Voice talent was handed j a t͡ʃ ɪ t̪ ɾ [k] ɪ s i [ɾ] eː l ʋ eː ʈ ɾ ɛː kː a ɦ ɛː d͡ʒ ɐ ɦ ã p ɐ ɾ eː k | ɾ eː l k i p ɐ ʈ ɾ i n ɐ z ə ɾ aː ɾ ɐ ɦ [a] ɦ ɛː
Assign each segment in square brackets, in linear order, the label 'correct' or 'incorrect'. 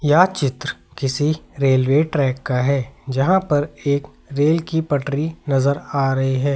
correct, correct, incorrect

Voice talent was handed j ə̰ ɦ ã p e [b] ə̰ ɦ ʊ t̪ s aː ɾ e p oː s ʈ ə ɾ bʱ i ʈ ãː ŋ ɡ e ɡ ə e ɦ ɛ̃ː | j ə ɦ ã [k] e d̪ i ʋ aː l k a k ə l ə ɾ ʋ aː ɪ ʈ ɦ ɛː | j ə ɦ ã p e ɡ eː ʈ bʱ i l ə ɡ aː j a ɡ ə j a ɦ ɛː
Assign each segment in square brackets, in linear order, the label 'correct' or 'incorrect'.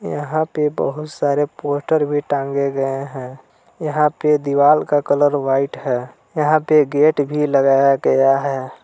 correct, incorrect

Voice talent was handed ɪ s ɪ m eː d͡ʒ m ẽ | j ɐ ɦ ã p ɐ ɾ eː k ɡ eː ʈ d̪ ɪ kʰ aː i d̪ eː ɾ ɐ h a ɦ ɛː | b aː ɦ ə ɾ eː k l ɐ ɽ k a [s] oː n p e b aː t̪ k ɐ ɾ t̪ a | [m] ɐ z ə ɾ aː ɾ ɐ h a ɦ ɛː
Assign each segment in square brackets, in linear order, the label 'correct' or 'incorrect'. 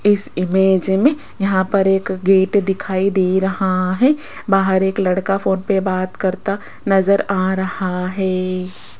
incorrect, incorrect

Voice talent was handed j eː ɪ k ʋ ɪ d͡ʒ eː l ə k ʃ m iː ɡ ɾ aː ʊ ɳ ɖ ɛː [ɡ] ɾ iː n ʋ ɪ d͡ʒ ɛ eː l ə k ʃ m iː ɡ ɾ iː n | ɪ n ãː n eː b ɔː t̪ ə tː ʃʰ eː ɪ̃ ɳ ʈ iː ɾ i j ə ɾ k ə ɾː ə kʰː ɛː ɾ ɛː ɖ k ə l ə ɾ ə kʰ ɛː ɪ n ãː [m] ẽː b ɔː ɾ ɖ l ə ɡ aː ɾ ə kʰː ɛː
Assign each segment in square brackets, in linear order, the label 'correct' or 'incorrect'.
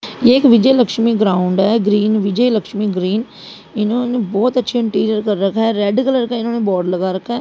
correct, incorrect

